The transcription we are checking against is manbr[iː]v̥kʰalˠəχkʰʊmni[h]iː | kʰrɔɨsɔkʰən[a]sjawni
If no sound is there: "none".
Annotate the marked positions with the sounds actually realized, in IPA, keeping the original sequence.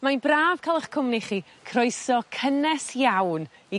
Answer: aː, χ, ɛ

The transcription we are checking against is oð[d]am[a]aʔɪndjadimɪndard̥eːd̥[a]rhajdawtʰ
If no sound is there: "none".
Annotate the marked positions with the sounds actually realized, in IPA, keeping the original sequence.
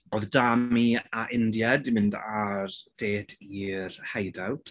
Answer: d, i, i

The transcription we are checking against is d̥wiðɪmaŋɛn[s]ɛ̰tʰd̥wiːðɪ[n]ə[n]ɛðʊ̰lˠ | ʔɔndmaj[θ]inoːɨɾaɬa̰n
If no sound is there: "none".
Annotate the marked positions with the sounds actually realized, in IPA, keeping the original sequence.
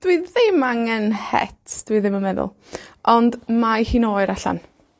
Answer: h, m, m, h

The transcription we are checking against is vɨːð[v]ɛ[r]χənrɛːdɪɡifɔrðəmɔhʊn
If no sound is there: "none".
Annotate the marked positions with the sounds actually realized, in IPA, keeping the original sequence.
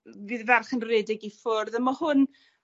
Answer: v, r

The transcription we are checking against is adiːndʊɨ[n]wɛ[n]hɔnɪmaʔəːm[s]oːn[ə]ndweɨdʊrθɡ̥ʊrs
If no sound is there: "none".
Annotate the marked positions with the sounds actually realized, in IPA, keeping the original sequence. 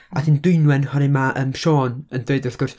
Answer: n, n, ʃ, ə

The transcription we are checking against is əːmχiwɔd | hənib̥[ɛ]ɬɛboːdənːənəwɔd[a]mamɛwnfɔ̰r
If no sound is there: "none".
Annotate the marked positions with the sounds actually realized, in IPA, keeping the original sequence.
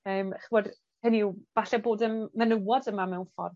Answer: a, ə

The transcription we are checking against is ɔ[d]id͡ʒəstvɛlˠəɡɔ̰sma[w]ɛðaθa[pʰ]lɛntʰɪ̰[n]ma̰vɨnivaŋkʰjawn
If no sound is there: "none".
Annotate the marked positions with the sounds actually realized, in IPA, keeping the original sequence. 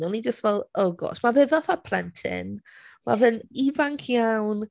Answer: n, v, pʰ, n

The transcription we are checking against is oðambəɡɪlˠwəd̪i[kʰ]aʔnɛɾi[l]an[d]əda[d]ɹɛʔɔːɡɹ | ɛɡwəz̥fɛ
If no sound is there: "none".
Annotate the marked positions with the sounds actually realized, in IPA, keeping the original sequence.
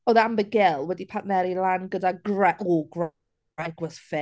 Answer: pʰ, l, ɡ, ɡ

